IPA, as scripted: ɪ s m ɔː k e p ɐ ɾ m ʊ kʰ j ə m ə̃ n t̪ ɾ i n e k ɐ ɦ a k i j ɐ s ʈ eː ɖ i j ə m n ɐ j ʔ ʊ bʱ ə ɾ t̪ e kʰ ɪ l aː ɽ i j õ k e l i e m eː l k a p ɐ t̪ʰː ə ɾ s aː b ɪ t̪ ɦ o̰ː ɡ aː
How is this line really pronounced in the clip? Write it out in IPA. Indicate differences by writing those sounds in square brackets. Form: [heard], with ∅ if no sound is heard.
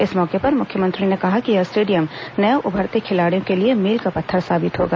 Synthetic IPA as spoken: ɪ s m ɔː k e p ɐ ɾ m ʊ kʰ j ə m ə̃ n t̪ ɾ i n e k ɐ ɦ a k i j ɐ s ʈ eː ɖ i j ə m n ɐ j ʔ ʊ bʱ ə ɾ t̪ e kʰ ɪ l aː ɽ i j õ k e l i e m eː l k a p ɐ t̪ʰː ə ɾ s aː b ɪ t̪ ɦ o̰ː ɡ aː